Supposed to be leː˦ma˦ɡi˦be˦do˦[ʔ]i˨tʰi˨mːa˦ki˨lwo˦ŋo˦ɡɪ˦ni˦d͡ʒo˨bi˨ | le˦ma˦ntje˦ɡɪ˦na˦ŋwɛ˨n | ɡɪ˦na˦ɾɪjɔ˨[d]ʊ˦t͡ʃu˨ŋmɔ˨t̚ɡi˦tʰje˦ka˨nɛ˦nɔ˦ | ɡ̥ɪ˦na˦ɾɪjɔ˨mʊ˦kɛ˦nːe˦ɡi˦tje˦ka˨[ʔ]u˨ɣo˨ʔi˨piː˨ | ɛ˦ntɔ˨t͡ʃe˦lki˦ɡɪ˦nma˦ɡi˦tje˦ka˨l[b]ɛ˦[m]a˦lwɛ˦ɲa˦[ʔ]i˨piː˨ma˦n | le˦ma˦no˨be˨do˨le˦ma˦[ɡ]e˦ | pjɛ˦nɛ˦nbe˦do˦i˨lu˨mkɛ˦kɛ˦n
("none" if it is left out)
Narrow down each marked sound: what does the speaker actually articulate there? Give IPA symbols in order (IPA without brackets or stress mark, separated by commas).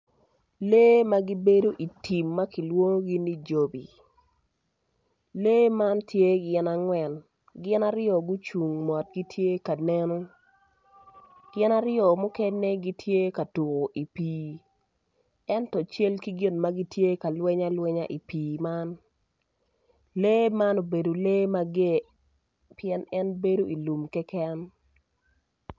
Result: ʔ, ɡ, t, w, ɲ, ʔ, ɡ